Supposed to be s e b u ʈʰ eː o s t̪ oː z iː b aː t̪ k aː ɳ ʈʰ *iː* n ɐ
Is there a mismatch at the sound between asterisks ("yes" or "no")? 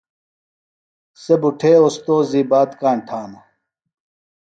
yes